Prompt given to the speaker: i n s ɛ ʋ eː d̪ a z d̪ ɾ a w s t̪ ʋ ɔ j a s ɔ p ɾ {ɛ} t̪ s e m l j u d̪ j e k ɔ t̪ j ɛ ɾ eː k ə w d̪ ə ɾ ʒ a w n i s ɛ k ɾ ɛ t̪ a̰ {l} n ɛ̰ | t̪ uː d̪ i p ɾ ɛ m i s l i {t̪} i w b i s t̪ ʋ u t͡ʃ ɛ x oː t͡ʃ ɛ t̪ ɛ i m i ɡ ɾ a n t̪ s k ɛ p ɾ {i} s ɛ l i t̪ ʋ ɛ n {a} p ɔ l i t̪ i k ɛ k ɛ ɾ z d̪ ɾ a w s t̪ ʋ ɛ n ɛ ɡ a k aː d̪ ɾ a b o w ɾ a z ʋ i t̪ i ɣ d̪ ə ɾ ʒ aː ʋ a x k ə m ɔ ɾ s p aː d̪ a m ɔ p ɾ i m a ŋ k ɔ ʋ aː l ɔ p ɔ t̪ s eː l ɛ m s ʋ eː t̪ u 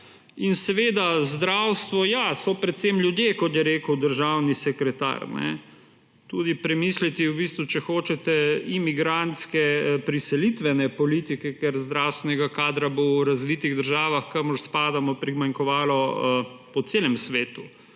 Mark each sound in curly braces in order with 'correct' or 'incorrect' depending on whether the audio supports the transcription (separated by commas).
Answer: correct, incorrect, correct, correct, incorrect